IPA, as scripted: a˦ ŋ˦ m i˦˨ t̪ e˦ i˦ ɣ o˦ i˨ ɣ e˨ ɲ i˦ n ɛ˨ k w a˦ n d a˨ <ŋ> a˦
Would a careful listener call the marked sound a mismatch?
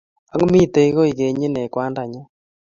yes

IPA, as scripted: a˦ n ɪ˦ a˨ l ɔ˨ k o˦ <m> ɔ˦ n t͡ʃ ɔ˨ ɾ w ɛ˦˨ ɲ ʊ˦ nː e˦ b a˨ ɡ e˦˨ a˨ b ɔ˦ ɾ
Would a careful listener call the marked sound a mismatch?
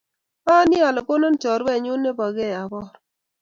yes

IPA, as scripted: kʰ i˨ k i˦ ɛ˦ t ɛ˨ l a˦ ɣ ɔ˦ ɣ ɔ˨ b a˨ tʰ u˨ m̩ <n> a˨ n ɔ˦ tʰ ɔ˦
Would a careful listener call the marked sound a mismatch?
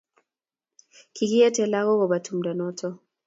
yes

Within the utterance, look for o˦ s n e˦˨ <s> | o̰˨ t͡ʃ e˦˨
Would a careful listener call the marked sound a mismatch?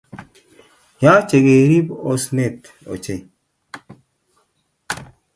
yes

